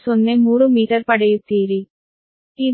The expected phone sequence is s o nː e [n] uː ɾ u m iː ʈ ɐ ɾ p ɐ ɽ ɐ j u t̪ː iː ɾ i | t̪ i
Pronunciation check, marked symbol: incorrect: m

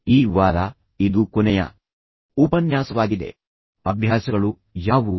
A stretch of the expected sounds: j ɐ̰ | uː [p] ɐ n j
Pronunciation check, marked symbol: correct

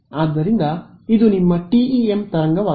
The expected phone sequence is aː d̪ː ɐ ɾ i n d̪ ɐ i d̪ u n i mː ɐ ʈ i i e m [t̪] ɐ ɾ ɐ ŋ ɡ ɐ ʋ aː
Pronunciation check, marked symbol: correct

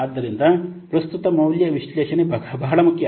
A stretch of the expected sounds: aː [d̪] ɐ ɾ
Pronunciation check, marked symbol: incorrect: d̪ː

